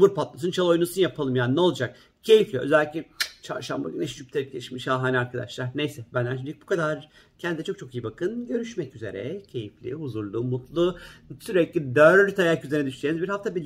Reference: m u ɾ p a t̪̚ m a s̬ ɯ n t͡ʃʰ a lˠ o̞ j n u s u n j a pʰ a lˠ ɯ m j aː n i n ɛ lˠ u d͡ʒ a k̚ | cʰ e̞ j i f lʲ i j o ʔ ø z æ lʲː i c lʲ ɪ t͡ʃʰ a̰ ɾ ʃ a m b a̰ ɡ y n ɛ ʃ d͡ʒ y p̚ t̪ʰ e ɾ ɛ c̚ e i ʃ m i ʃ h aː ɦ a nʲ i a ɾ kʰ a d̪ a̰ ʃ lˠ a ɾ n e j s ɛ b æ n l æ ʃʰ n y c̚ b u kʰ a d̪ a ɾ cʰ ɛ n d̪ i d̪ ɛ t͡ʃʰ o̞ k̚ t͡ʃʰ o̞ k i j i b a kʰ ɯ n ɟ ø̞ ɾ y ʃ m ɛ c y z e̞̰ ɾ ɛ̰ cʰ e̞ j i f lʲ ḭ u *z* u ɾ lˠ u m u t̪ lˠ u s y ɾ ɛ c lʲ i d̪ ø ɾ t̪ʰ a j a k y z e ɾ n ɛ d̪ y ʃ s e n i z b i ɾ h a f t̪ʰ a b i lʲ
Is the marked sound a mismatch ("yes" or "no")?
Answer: no